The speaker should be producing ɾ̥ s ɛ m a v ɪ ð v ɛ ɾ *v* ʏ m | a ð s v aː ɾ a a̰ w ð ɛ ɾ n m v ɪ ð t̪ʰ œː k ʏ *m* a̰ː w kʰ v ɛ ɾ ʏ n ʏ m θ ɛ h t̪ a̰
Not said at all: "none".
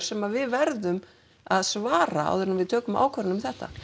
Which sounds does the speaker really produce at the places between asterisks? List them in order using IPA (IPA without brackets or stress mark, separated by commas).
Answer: ð, m